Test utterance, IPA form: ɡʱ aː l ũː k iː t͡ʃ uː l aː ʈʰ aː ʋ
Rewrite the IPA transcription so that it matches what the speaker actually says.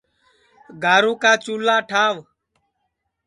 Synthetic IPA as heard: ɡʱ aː ɾ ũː k aː t͡ʃ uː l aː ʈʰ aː ʋ